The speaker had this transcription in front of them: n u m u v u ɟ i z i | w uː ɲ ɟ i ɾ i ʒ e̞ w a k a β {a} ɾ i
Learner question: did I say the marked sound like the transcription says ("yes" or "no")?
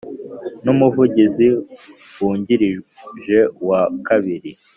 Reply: no